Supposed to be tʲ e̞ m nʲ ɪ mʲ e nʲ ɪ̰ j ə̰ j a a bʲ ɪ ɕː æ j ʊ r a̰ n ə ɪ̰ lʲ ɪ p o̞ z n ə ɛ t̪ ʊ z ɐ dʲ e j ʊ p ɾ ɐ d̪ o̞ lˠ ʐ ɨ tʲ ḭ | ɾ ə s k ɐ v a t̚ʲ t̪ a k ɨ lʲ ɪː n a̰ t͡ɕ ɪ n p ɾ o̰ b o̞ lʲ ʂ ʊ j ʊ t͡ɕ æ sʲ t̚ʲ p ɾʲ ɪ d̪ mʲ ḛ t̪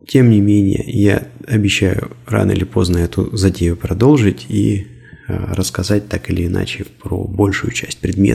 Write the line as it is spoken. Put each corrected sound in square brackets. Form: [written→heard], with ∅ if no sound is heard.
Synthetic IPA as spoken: tʲ e̞ m nʲ ɪ mʲ e nʲ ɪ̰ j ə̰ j a [a→ɐ] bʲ ɪ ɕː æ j ʊ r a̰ n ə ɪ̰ lʲ ɪ p o̞ z n ə ɛ t̪ ʊ z ɐ dʲ e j ʊ p ɾ ɐ d̪ o̞ lˠ ʐ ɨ tʲ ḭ | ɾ ə s k ɐ [v→z] a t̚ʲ t̪ a k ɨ lʲ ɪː n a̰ t͡ɕ ɪ [n→∅] p ɾ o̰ b o̞ lʲ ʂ ʊ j ʊ t͡ɕ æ sʲ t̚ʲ p ɾʲ ɪ d̪ mʲ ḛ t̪